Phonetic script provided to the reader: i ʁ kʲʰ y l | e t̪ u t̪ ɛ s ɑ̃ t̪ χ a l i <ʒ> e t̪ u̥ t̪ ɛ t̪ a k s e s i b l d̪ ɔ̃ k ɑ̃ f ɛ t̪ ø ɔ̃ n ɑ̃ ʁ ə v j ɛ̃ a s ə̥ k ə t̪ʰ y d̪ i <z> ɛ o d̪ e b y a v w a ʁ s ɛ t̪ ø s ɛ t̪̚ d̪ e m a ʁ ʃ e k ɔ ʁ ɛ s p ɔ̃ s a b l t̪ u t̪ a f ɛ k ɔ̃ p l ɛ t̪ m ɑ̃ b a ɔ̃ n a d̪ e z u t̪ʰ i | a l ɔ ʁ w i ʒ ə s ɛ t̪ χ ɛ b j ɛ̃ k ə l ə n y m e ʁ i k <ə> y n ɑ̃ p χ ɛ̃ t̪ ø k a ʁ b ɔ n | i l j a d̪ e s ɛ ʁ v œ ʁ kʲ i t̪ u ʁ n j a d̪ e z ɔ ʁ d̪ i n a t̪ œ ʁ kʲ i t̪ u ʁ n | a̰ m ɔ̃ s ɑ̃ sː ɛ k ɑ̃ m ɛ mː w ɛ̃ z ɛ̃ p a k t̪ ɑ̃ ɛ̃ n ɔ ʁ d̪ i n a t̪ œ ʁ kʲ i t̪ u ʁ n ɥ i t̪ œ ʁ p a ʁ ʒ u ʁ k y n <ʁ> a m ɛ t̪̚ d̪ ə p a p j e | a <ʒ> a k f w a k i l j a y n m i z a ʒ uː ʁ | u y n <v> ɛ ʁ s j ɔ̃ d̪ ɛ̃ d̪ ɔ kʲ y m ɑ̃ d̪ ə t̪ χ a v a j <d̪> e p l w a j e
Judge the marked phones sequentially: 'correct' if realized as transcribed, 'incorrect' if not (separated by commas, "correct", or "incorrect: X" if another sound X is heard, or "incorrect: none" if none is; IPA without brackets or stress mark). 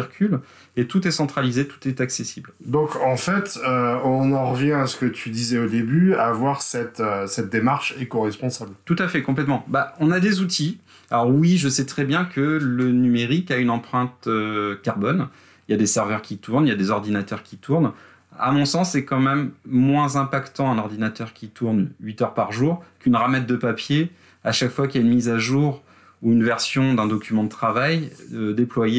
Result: incorrect: z, correct, incorrect: a, correct, incorrect: ʃ, correct, correct